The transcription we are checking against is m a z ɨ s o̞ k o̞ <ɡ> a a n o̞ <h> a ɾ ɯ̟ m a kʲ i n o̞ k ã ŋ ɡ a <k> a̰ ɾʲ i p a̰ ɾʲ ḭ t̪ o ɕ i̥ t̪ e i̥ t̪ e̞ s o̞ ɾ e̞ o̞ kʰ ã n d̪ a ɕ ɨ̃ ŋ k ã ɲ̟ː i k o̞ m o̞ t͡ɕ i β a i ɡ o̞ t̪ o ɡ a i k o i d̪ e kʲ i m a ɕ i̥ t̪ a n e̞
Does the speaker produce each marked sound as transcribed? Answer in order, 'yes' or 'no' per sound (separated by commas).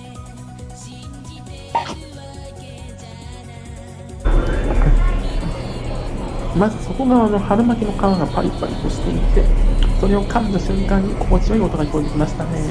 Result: yes, yes, no